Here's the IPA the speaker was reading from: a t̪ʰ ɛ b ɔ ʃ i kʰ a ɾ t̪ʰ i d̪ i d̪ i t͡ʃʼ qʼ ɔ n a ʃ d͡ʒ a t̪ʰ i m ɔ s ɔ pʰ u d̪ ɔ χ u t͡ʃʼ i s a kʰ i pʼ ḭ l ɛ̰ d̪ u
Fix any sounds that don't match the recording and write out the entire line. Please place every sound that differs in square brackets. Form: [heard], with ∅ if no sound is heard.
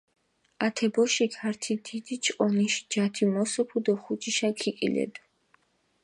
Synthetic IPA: a t̪ʰ ɛ b ɔ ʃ i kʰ a ɾ t̪ʰ i d̪ i d̪ i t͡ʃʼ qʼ ɔ n [i] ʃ d͡ʒ a t̪ʰ i m ɔ s ɔ pʰ u d̪ ɔ χ u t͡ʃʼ i [ʃ] a kʰ i [kʼ] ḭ l ɛ̰ d̪ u